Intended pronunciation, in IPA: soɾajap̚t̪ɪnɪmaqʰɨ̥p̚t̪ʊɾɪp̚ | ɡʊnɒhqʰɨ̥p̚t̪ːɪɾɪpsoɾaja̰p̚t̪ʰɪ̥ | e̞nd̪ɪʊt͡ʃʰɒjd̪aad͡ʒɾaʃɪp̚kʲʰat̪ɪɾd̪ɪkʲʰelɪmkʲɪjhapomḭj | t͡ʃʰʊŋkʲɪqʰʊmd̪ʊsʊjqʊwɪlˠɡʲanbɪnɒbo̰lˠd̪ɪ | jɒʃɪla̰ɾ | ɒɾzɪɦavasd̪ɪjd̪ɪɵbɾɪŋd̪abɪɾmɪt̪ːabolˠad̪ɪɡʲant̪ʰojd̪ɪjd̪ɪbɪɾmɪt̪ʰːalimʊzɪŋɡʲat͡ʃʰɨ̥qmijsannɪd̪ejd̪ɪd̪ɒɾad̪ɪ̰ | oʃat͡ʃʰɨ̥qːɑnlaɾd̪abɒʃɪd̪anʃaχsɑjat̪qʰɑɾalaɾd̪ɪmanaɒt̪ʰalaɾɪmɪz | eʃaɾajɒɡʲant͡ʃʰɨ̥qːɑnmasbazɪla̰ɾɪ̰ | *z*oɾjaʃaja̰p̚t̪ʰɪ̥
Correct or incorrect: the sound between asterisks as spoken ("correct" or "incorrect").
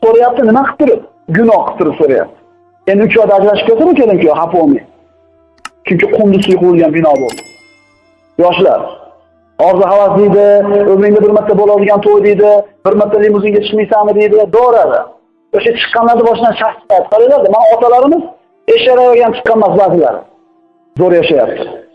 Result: correct